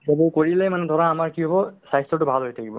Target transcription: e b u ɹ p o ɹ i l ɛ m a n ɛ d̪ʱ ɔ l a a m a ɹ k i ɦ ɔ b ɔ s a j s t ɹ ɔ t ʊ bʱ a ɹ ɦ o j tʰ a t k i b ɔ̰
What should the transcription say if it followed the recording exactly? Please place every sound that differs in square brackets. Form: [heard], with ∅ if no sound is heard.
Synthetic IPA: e b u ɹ [k] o ɹ i l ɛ m a n ɛ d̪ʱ ɔ [ɹ] a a m a ɹ k i ɦ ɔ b ɔ s a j s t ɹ ɔ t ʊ bʱ a [l] ɦ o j tʰ a [∅] k i b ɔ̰